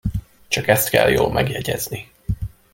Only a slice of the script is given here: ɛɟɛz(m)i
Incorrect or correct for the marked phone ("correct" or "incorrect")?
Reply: incorrect